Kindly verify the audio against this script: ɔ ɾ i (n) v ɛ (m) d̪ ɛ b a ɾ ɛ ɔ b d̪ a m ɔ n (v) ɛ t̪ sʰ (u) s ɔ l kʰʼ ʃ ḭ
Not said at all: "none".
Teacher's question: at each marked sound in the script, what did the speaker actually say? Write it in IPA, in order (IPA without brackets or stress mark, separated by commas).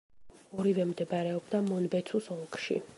none, m, b, u